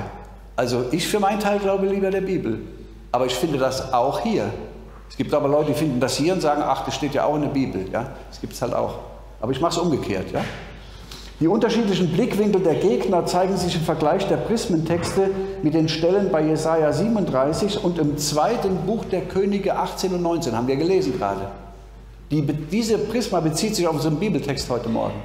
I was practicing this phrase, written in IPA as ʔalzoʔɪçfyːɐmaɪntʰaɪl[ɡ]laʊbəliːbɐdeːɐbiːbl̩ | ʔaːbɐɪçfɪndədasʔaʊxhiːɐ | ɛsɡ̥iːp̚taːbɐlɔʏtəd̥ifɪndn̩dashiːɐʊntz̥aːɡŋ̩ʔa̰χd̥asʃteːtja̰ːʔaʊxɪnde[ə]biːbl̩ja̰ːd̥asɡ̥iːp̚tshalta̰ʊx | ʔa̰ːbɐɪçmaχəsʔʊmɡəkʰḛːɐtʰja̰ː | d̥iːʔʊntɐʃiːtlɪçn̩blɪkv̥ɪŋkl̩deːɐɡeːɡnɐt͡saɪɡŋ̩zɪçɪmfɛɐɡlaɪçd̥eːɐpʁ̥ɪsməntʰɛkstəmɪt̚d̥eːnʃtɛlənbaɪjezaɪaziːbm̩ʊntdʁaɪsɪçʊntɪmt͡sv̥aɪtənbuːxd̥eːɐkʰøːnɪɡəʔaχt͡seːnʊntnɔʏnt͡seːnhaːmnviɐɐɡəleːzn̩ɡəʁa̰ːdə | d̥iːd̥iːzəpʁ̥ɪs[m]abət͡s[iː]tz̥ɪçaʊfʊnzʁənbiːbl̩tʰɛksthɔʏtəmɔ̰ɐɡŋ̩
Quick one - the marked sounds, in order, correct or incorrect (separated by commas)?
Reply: correct, incorrect, correct, correct